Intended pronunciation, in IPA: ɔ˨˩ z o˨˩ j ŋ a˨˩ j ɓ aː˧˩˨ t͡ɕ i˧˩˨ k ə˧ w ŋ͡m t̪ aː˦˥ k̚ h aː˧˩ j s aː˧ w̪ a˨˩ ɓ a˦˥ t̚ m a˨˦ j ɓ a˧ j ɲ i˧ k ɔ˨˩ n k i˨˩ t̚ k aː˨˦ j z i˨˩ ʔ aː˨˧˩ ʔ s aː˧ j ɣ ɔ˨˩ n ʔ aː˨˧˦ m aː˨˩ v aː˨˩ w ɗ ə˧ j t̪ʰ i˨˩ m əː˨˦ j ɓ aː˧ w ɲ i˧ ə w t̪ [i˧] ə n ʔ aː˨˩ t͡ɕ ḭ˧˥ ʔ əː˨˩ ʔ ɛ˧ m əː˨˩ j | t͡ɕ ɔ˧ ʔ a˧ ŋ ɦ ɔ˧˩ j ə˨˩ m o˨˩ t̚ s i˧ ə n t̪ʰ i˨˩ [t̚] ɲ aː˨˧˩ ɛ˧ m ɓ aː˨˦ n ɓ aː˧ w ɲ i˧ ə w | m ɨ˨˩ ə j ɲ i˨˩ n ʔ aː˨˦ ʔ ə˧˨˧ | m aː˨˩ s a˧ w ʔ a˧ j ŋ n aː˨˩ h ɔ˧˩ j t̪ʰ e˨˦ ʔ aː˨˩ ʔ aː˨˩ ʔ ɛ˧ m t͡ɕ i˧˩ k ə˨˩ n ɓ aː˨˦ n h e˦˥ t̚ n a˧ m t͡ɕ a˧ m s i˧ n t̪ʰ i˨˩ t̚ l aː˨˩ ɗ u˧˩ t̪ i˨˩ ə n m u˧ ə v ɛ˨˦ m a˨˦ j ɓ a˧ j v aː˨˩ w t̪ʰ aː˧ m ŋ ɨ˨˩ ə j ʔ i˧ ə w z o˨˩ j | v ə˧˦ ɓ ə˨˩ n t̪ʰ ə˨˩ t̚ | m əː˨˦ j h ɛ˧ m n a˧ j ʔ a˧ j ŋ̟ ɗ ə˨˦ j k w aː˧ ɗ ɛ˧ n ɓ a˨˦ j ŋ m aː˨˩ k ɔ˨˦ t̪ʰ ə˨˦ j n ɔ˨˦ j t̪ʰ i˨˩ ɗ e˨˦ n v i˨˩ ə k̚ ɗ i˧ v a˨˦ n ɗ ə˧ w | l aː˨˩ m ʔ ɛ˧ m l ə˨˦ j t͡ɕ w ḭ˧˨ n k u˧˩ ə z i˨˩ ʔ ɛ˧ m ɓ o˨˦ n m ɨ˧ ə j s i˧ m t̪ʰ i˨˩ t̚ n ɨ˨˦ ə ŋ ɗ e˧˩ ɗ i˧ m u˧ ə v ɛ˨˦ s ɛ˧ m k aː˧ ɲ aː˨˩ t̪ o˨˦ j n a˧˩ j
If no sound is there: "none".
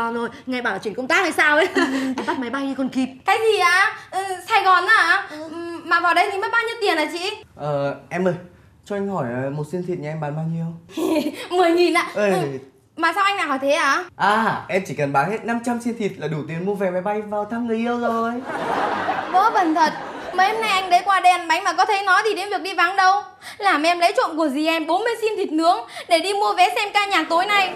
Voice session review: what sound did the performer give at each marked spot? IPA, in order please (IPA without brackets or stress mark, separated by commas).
i˨˩, t̚